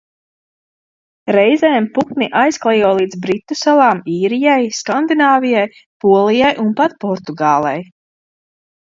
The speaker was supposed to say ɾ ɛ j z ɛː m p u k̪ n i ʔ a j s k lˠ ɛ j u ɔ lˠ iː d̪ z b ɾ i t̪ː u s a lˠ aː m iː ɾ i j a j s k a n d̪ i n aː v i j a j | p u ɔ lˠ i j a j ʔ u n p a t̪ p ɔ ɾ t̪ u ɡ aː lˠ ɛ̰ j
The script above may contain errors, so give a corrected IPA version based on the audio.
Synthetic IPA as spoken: ɾ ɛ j z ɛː m p u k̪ n i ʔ a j s k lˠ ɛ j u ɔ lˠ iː d̪ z b ɾ i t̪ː u s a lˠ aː m iː ɾ i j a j s k a n d̪ i n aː v i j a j | p u ɔ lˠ i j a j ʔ u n p a t̪ p ɔ ɾ t̪ u ɡ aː lˠ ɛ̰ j